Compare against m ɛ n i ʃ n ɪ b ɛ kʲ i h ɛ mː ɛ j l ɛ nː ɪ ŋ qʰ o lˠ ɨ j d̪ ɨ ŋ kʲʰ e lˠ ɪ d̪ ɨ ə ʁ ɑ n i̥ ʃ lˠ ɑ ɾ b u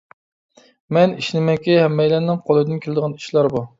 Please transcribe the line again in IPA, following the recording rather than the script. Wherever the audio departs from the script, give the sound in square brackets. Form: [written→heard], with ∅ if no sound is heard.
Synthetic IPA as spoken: m ɛ n i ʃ n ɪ [b→m] ɛ kʲ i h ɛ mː ɛ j l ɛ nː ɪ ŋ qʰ o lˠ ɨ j d̪ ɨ [ŋ→n] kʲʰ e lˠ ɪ d̪ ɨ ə ʁ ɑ n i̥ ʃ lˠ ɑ ɾ b u